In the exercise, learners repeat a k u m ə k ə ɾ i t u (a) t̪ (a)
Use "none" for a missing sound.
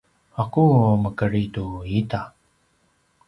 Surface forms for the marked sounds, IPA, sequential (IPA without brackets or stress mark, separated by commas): i, a